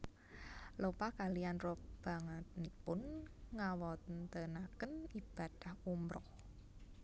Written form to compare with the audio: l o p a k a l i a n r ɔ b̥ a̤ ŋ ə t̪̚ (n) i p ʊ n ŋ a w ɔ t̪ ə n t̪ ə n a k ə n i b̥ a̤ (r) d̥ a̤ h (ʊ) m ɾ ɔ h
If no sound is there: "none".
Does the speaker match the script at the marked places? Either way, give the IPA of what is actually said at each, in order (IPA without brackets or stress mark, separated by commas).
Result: n, none, u